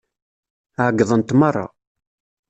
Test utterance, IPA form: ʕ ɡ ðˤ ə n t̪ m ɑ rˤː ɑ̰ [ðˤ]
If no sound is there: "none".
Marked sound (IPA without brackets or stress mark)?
none